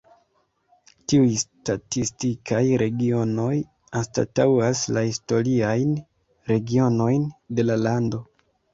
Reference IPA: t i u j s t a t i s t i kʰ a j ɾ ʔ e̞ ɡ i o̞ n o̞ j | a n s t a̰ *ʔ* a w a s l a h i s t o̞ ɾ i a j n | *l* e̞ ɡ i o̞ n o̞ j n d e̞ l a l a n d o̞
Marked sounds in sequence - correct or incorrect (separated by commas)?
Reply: incorrect, incorrect